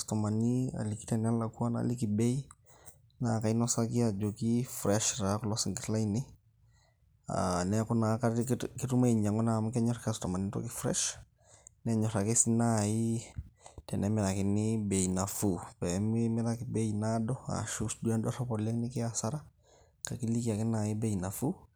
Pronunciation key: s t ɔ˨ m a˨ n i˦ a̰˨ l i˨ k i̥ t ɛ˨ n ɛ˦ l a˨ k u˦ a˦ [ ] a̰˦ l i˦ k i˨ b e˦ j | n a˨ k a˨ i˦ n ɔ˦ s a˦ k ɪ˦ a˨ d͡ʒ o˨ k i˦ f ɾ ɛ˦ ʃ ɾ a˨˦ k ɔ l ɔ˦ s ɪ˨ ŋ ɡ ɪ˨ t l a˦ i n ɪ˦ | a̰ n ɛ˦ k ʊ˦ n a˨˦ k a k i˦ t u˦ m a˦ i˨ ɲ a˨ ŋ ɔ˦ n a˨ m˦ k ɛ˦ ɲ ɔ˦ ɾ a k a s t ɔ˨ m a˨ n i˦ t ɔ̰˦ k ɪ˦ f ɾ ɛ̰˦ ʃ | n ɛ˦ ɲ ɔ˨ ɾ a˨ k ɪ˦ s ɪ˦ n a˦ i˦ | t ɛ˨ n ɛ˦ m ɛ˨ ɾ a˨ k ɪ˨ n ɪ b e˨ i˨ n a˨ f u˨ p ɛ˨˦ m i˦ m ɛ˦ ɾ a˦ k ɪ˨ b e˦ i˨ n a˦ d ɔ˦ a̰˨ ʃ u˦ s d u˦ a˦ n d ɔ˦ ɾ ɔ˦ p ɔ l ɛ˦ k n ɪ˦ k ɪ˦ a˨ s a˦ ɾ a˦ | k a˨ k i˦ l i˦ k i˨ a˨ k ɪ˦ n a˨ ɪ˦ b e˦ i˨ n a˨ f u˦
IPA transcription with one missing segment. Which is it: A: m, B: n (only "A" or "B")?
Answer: B